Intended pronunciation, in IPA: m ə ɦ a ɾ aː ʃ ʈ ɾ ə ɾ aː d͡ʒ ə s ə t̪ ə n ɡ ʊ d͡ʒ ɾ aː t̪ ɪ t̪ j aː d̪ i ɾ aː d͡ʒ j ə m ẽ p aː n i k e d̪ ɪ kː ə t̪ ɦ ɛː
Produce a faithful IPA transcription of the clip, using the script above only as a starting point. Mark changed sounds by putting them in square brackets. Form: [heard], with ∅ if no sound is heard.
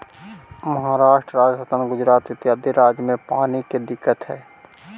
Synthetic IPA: m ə ɦ a ɾ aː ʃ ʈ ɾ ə ɾ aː d͡ʒ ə s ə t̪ ə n ɡ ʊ d͡ʒ ɾ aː t̪ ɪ t̪ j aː d̪ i ɾ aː d͡ʒ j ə m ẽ p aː n i k e d̪ ɪ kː ə t̪ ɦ ɛː